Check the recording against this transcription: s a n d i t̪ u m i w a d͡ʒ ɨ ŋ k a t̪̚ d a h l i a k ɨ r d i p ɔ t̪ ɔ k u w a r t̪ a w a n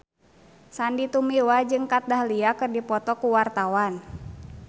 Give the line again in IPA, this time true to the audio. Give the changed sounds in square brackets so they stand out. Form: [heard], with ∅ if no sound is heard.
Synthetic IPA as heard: s a n d i t̪ u m i w a d͡ʒ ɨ ŋ k a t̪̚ d a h l i a k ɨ r d i p ɔ t̪ ɔ k u w a r t̪ a w a n